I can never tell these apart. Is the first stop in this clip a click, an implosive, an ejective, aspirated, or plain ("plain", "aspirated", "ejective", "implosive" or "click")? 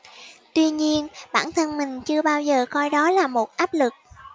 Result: plain